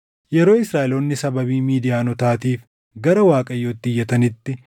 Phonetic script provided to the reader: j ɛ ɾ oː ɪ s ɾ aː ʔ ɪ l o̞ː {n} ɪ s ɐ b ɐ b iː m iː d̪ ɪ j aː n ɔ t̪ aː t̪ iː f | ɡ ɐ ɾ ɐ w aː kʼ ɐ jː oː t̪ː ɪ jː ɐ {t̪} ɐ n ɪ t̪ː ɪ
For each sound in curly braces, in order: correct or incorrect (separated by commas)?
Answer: incorrect, correct